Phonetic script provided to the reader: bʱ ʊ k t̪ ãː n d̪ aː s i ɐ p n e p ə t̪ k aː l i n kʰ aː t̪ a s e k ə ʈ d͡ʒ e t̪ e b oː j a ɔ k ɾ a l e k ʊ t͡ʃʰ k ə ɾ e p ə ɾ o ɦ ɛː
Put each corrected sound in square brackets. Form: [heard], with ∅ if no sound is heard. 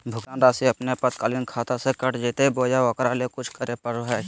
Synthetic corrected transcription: bʱ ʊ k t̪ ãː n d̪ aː s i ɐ p n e p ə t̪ k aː l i n kʰ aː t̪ a s e k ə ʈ d͡ʒ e t̪ e b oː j a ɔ k ɾ a l e k ʊ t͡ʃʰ k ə ɾ e p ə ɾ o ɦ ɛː